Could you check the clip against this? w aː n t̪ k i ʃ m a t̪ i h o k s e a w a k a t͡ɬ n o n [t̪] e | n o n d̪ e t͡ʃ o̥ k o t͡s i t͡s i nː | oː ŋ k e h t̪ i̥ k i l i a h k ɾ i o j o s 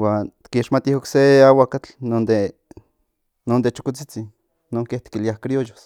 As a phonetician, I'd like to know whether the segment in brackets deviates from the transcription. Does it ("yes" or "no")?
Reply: yes